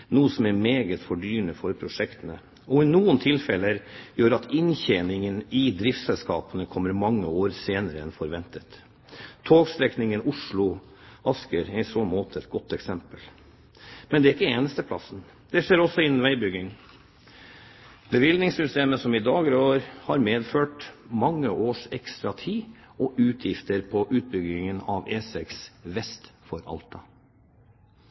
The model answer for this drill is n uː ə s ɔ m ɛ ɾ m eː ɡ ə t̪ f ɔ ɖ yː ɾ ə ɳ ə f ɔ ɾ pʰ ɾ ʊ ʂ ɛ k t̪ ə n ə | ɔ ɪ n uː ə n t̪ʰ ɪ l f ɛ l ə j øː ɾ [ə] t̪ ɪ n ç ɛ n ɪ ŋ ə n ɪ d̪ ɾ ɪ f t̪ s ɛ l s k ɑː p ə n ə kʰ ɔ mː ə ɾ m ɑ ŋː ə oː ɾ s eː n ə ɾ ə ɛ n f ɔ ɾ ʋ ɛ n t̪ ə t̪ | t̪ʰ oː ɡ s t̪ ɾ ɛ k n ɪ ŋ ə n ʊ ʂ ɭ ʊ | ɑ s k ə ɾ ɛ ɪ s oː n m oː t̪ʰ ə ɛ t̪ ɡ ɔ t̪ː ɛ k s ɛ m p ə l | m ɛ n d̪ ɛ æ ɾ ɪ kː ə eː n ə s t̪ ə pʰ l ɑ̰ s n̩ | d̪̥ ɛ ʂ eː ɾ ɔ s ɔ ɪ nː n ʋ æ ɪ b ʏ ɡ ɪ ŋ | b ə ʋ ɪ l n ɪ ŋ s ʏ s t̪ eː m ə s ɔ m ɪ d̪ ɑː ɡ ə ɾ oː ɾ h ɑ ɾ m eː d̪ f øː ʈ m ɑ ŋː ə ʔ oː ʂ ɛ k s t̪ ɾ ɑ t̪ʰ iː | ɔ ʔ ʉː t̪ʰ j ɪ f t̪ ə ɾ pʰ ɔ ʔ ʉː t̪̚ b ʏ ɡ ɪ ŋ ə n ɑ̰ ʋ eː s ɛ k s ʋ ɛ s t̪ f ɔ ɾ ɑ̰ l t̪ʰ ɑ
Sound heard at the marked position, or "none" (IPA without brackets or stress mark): ɑ